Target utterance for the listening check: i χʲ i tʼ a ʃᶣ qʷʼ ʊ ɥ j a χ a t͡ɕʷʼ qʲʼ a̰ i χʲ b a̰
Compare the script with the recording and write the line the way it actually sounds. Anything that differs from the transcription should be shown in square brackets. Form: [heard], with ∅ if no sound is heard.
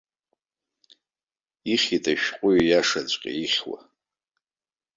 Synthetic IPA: i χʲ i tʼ a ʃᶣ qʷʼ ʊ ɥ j a [ʂ] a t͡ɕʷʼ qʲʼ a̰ i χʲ [w] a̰